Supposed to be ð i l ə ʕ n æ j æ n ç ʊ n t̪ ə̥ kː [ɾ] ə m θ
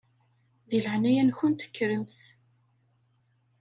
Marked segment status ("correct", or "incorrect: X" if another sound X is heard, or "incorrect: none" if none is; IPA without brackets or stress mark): correct